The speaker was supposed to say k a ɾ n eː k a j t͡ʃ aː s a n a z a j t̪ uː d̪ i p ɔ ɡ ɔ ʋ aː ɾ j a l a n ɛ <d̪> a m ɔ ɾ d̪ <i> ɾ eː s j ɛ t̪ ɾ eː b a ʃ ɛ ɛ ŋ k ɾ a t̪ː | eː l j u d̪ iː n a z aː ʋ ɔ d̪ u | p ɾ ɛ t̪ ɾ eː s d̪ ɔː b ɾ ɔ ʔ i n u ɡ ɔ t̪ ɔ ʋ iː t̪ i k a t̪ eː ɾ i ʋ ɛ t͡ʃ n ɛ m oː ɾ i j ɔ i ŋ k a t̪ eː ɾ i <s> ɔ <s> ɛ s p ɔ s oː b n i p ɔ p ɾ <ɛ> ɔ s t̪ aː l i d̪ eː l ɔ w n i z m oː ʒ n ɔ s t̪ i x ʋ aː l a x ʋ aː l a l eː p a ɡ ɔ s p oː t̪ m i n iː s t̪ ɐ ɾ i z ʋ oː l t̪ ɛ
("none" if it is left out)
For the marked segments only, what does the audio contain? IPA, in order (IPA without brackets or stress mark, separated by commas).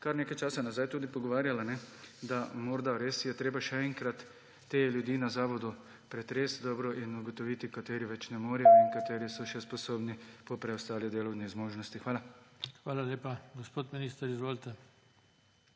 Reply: d̪, a, s, ʃ, ɛ